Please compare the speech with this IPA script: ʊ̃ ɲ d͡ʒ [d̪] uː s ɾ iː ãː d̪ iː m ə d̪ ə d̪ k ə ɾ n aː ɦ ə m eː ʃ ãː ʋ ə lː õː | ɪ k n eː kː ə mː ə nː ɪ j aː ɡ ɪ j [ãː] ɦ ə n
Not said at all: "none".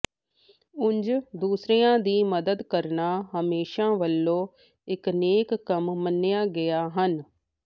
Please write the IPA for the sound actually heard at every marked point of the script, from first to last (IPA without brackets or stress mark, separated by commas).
d̪, aː